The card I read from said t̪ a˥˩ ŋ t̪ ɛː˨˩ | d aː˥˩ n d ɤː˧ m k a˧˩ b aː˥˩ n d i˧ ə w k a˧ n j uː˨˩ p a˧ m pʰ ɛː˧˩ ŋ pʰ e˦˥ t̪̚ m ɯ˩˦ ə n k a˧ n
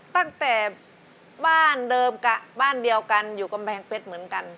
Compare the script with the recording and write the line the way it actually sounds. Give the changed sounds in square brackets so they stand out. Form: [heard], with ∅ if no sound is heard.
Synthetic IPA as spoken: t̪ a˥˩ ŋ t̪ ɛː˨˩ | [b] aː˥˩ n d ɤː˧ m k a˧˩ b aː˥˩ n d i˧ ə w k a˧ n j uː˨˩ [k] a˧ m pʰ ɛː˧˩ ŋ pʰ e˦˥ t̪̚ m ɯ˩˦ ə n k a˧ n